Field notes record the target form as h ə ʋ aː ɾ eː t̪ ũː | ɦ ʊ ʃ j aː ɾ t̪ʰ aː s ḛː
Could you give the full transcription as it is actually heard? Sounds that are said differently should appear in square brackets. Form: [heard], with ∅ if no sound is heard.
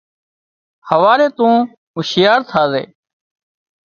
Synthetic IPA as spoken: h ə ʋ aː ɾ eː t̪ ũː | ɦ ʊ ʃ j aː ɾ t̪ʰ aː [z] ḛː